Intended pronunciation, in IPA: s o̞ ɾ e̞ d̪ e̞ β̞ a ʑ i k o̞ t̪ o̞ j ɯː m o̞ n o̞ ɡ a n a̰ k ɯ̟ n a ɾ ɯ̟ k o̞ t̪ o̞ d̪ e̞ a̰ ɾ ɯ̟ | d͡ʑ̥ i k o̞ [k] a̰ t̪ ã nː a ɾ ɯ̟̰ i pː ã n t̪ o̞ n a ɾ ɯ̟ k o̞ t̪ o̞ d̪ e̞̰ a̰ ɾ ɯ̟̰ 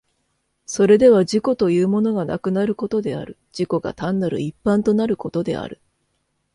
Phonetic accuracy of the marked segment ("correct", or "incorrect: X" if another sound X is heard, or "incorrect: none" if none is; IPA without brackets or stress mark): incorrect: ɡ